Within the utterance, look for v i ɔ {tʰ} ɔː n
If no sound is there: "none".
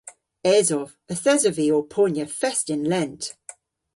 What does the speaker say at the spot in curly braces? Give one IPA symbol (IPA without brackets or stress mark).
pʰ